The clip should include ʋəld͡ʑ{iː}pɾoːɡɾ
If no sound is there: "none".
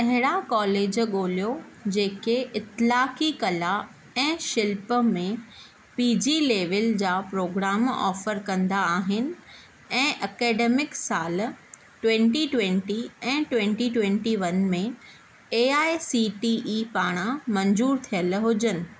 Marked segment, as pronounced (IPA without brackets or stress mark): aː